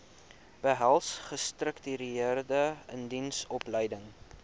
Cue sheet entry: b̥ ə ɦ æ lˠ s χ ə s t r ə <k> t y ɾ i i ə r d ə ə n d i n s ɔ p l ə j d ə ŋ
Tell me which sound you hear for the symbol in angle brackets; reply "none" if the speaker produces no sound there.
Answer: k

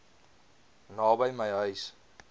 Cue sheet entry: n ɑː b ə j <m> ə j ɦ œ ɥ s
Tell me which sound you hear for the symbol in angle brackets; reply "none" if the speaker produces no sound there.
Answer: m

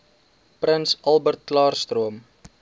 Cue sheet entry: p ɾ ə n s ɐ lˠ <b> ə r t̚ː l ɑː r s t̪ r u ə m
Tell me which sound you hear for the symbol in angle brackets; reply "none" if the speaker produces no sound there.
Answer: b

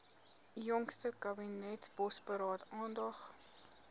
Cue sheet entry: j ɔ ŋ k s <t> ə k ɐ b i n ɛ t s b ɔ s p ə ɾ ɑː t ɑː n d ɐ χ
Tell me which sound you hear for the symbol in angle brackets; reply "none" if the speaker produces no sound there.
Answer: t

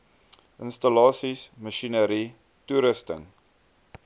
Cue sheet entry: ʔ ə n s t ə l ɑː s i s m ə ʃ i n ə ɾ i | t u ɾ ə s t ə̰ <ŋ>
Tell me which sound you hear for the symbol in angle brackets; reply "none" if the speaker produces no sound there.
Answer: ŋ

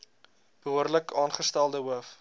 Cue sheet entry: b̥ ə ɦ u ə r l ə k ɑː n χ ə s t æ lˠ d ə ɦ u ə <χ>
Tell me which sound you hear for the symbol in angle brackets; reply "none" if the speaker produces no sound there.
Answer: f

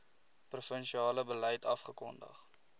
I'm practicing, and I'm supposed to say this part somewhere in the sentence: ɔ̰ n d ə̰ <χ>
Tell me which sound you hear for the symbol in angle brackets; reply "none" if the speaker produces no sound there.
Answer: χ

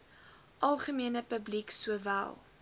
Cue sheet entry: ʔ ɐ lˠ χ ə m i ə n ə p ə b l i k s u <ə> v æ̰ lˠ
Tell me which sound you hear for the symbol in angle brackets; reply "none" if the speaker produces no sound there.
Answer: ə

